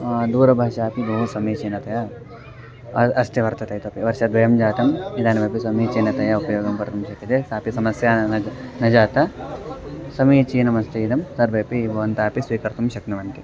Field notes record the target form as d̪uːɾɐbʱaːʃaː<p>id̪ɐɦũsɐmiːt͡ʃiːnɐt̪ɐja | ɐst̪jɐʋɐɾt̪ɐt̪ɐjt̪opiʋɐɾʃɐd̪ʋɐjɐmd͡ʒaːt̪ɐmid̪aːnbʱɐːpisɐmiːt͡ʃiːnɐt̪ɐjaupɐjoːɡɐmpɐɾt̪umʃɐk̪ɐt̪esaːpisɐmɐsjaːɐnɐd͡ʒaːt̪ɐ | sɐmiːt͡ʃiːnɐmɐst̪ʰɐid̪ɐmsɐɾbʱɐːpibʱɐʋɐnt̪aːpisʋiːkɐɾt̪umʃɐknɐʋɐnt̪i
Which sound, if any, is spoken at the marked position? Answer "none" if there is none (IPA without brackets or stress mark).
p